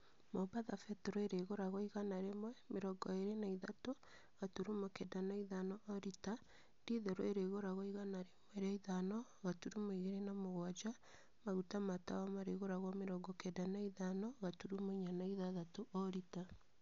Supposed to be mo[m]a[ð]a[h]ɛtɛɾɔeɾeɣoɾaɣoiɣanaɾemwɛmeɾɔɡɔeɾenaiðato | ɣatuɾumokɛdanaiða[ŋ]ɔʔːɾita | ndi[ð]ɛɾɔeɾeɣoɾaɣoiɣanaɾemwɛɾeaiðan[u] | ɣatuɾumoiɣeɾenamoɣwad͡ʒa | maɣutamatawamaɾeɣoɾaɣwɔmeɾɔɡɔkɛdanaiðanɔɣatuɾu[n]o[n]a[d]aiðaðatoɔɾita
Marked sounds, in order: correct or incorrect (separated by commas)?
incorrect, correct, incorrect, incorrect, correct, incorrect, incorrect, incorrect, incorrect